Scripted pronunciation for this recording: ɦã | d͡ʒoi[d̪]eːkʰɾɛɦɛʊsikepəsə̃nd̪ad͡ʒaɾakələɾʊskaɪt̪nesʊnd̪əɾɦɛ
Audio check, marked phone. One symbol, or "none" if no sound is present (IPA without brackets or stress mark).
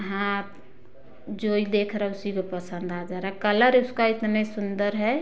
d̪